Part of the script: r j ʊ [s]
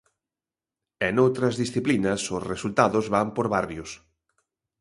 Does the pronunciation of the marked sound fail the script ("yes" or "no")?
no